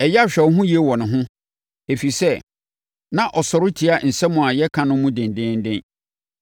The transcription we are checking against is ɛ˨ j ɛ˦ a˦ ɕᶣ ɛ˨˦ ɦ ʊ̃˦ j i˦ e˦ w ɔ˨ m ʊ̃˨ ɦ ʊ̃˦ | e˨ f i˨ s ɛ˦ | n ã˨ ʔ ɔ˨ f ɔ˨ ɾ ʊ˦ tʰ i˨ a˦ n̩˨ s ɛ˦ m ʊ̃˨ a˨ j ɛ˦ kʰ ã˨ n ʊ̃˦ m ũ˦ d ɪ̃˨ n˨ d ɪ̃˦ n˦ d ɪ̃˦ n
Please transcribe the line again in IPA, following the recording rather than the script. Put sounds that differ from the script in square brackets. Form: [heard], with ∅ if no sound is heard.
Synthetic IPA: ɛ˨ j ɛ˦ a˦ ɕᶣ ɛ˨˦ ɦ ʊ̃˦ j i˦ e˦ w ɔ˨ [n] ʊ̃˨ ɦ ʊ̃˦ | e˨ f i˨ s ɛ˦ | n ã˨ ʔ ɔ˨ [s] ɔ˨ ɾ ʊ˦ tʰ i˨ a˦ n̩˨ s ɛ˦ m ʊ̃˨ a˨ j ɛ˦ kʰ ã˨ n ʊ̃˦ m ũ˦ d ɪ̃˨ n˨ d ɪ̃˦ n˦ d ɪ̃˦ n